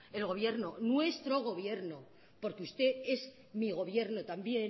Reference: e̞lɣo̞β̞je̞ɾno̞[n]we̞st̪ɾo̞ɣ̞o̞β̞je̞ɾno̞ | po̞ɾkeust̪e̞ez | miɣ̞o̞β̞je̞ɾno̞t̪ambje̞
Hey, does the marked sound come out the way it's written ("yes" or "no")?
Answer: yes